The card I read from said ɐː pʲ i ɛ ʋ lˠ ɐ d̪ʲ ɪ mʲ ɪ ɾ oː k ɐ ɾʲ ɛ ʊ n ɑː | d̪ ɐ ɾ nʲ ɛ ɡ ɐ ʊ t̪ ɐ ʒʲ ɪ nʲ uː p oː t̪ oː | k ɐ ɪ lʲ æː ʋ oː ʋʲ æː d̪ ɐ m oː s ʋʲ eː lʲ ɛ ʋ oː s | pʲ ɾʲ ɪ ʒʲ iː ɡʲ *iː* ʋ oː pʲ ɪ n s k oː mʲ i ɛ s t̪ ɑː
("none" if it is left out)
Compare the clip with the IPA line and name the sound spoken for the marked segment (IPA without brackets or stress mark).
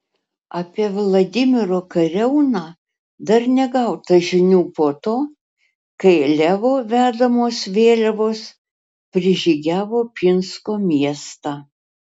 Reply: æː